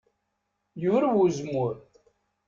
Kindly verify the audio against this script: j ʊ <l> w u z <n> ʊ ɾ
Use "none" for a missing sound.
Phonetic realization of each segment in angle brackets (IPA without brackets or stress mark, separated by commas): ɾ, m